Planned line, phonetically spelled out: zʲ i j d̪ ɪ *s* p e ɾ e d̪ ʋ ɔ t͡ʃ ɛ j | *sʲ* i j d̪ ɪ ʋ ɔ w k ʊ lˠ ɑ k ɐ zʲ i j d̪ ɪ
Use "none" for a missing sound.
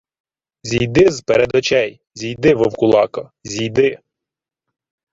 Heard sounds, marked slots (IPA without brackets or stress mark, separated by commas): z, zʲ